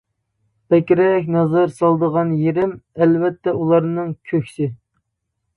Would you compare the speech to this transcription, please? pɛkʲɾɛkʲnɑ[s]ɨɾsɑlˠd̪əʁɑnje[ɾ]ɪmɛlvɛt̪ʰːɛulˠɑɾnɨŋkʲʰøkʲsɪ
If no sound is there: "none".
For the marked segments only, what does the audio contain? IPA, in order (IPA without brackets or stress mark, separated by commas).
z, ɾ